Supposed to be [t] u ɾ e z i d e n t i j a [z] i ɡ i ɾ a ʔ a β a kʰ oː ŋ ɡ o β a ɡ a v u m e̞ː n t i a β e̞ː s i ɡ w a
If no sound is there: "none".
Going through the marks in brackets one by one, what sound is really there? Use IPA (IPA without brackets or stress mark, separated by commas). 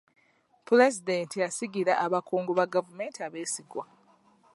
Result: p, s